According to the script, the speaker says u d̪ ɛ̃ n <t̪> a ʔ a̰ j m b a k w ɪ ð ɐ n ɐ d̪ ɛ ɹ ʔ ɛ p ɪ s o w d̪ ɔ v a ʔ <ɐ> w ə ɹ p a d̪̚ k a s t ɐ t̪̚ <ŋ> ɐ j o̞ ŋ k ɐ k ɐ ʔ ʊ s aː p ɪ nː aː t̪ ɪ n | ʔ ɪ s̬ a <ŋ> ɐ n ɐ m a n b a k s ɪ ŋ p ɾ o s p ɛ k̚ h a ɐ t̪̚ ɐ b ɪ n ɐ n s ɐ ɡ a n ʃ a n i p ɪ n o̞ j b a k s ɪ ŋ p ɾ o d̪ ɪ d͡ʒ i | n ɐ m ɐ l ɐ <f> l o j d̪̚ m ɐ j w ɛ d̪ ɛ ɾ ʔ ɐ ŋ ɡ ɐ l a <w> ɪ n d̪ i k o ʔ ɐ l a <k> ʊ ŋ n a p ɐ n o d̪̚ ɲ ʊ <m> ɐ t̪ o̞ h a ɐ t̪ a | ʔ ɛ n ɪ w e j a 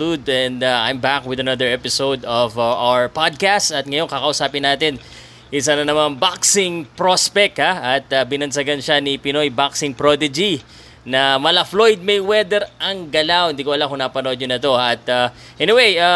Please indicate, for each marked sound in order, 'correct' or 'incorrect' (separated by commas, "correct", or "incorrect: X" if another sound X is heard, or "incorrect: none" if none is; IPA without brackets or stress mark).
incorrect: d̪, incorrect: a, correct, incorrect: n, correct, correct, correct, incorrect: n